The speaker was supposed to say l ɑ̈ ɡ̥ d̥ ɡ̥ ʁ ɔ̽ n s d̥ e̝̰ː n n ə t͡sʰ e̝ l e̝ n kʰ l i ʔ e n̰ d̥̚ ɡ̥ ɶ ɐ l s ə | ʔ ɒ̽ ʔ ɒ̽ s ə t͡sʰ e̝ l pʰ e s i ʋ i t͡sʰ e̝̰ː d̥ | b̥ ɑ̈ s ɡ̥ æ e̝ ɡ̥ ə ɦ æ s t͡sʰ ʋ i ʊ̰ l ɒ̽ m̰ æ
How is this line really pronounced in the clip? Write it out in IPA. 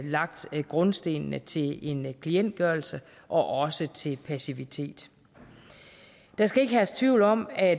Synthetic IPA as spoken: l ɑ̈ ɡ̥ d̥ ɡ̥ ʁ ɔ̽ n s d̥ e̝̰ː n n ə t͡sʰ e̝ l e̝ n kʰ l i e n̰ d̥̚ ɡ̥ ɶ ɐ l s ə | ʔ ɒ̽ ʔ ɒ̽ s ə t͡sʰ e̝ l pʰ æ s i ʋ i t͡sʰ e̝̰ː d̥ | d̥ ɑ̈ s ɡ̥ æ e̝ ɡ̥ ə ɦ æ s t͡sʰ ʋ i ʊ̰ l ɒ̽ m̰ æ